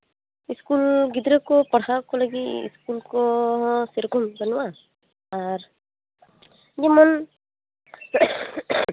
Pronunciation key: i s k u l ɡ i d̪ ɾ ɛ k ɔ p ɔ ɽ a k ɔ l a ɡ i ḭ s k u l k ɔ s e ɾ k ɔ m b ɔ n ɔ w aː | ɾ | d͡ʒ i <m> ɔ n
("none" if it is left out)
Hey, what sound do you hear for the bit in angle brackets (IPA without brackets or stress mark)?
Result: m